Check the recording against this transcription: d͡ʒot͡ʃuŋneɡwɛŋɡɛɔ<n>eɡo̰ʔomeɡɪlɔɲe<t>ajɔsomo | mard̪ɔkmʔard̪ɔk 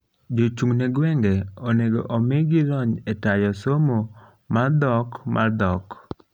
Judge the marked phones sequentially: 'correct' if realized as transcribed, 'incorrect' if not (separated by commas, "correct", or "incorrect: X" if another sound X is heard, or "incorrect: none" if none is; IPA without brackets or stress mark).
correct, correct